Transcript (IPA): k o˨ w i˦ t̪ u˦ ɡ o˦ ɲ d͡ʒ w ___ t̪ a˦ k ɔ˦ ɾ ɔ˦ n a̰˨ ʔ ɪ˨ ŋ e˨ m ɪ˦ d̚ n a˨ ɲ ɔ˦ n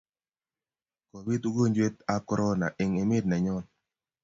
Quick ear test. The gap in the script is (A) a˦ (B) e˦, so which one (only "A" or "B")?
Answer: B